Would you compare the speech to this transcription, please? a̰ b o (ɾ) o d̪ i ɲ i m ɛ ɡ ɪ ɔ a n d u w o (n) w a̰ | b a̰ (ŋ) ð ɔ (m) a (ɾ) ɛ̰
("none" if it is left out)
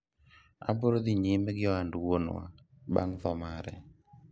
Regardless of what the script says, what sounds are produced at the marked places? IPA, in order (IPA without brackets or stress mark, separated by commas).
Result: ɾ, n, ŋ, m, ɾ